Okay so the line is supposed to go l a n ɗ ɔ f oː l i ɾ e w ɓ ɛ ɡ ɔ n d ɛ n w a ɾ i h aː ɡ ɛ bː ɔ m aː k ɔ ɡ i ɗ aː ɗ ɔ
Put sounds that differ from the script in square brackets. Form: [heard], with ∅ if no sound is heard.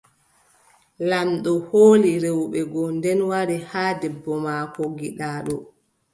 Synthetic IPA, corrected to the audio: l a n ɗ ɔ [h] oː l i ɾ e w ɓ ɛ ɡ ɔ n d ɛ n w a ɾ i h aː [d] ɛ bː ɔ m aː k ɔ ɡ i ɗ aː ɗ ɔ